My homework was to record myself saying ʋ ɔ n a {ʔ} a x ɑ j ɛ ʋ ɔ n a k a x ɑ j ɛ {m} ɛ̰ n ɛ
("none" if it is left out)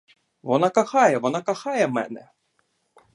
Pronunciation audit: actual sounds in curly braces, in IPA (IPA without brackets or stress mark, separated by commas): k, m